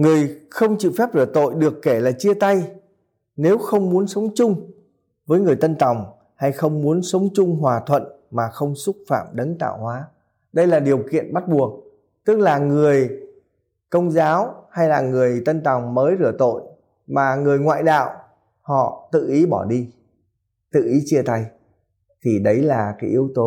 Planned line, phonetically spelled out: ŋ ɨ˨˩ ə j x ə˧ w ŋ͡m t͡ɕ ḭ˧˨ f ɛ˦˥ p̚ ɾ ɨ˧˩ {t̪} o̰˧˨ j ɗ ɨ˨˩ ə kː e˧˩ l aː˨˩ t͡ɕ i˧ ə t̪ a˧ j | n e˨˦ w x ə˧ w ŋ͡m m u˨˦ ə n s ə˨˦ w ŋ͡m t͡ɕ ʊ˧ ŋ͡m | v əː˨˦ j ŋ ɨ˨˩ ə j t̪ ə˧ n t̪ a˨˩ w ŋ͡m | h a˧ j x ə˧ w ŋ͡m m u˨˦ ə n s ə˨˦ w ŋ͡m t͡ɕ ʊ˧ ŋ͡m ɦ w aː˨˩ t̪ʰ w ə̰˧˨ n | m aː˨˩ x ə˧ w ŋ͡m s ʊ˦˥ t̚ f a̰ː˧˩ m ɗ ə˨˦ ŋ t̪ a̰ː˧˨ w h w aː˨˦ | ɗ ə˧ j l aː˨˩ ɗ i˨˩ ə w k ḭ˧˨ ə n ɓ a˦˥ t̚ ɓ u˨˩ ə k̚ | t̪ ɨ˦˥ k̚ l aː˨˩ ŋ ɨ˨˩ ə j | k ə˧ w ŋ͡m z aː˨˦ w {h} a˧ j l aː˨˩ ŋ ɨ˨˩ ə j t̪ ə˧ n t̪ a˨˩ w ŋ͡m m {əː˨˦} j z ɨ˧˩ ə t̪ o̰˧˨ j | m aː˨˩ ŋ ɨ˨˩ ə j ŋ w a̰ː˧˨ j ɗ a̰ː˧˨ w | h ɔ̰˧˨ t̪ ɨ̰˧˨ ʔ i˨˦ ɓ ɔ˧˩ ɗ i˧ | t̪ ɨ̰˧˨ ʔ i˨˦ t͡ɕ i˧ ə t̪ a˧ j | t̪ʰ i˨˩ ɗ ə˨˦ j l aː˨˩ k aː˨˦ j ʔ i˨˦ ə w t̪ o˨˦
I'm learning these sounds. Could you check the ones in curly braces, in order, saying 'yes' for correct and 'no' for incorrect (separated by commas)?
yes, yes, yes